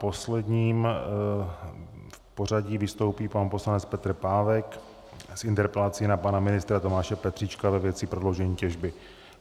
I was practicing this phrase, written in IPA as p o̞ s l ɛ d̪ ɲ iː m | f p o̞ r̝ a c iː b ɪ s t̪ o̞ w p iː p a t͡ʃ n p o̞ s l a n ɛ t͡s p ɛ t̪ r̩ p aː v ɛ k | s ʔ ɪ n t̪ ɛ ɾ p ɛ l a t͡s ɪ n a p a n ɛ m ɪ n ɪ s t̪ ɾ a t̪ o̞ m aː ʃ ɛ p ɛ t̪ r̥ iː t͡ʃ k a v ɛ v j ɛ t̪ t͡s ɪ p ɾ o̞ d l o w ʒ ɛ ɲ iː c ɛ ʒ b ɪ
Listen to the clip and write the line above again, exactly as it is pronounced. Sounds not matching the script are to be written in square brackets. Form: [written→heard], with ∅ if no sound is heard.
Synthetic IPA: p o̞ s l ɛ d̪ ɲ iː m | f p o̞ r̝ a [c→ɟ] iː [b→v] ɪ s t̪ o̞ w p iː p a [t͡ʃ→∅] n p o̞ s l a n ɛ t͡s p ɛ t̪ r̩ p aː v ɛ k | s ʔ ɪ n t̪ ɛ ɾ p ɛ l a t͡s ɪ n a p a n [ɛ→a] m ɪ n ɪ s t̪ ɾ a t̪ o̞ m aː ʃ ɛ p ɛ t̪ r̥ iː t͡ʃ k a v ɛ v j ɛ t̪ t͡s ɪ p ɾ o̞ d l o w ʒ ɛ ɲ iː c ɛ ʒ b ɪ